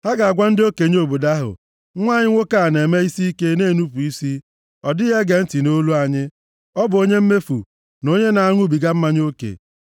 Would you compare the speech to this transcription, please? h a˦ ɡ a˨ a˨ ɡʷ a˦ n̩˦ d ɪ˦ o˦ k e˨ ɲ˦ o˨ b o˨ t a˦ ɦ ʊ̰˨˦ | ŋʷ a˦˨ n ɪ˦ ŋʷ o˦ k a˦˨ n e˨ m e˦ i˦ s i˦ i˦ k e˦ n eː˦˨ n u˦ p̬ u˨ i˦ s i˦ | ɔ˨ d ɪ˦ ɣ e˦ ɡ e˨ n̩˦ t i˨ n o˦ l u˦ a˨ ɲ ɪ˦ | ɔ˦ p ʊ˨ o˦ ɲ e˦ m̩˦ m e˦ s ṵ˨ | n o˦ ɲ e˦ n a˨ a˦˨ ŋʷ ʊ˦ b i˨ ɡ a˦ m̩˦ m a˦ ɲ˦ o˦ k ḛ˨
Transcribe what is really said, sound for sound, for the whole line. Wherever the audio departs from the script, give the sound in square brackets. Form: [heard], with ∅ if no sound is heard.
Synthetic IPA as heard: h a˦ ɡ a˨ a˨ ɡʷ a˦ n̩˦ d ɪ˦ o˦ k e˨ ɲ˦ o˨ b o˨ [d] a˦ ɦ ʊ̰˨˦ | ŋʷ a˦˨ [ɲ] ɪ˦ ŋʷ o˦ k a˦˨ n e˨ m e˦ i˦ s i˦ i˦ k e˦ n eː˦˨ n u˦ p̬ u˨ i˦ s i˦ | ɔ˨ d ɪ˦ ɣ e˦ ɡ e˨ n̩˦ t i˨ n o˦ l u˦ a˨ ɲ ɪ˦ | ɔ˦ [b] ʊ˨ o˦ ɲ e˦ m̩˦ m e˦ [f] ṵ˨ | n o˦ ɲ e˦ n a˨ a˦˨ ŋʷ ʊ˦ b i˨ ɡ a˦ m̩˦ m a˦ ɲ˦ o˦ k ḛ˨

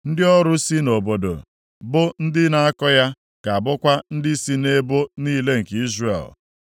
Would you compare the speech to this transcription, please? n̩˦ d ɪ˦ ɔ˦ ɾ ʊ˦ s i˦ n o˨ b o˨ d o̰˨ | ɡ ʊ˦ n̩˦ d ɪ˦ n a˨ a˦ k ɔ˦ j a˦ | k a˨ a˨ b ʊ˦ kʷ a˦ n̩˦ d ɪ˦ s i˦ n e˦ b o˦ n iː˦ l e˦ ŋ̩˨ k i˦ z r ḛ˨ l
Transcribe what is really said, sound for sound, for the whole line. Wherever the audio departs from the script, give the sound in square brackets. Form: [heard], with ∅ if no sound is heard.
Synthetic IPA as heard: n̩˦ d ɪ˦ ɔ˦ ɾ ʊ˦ s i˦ n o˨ b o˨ d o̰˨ | [b] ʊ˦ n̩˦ d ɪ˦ n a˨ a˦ k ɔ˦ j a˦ | k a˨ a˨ b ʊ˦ kʷ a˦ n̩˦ d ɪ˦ s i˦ n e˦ b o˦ n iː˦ l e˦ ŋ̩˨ k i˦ z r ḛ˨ l

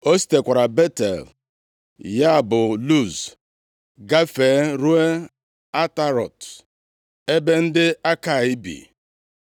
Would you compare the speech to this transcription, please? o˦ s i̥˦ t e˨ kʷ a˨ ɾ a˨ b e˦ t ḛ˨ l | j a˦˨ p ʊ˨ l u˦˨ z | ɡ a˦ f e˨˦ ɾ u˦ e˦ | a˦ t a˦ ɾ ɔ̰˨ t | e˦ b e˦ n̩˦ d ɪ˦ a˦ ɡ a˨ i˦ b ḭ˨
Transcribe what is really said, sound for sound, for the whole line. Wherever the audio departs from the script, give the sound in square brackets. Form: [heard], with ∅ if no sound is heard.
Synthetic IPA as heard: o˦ s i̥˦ t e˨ kʷ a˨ ɾ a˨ b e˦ t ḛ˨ l | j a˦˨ [b] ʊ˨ l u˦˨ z | ɡ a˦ f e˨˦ ɾ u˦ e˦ | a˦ t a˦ ɾ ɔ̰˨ t | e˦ b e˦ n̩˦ d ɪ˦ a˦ [k] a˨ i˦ b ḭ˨

